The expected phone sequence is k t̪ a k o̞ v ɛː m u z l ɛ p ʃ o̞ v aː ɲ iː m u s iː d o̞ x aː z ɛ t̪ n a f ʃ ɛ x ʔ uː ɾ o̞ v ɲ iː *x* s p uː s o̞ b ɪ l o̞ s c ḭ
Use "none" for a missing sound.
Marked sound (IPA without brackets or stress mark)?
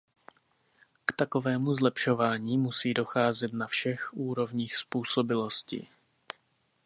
x